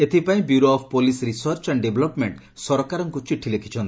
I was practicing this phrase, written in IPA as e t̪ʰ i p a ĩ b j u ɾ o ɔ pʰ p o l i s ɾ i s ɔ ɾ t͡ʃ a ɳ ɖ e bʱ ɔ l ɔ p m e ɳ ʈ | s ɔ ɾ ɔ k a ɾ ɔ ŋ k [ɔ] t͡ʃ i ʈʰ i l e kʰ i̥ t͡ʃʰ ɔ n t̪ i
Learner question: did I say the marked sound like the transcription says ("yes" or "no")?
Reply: no